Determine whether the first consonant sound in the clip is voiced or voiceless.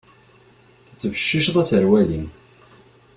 voiceless